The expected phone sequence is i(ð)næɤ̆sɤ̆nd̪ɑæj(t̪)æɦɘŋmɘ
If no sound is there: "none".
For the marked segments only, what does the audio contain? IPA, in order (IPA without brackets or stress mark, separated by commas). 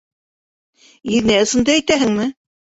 ð, t̪